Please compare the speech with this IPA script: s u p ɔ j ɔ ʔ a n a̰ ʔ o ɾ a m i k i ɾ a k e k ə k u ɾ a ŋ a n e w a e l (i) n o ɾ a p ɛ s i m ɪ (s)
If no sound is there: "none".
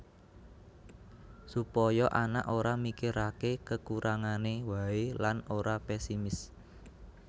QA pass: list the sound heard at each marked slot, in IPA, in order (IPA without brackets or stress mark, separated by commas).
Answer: a, s